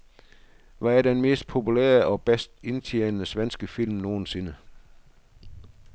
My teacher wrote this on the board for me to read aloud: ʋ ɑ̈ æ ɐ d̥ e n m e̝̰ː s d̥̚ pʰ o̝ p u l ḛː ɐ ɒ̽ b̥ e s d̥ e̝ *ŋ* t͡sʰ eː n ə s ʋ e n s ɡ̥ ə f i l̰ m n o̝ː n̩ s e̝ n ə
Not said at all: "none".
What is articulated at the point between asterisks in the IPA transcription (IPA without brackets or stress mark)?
n